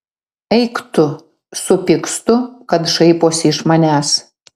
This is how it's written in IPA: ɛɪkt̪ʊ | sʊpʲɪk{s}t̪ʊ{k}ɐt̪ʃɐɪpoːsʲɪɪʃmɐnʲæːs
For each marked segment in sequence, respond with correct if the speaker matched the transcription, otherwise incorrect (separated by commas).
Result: correct, correct